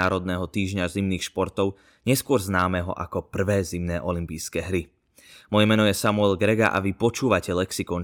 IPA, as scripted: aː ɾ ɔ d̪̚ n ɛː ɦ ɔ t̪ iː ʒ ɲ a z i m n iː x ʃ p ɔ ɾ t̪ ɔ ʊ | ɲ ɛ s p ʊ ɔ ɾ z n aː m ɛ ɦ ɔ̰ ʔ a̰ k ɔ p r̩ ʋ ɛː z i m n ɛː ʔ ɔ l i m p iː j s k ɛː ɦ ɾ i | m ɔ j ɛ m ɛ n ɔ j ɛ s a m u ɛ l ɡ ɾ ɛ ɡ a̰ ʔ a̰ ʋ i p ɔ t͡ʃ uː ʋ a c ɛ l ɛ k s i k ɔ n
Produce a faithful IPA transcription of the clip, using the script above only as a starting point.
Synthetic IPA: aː ɾ ɔ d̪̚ n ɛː ɦ ɔ t̪ iː ʒ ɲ a z i m n iː x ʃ p ɔ ɾ t̪ ɔ ʊ | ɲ ɛ s k ʊ ɔ ɾ z n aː m ɛ ɦ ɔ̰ ʔ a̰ k ɔ p r̩ ʋ ɛː z i m n ɛː ʔ ɔ l i m p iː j s k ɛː ɦ ɾ i | m ɔ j ɛ m ɛ n ɔ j ɛ s a m u ɛ l ɡ ɾ ɛ ɡ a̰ ʔ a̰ ʋ i p ɔ t͡ʃ uː ʋ a c ɛ l ɛ k s i k ɔ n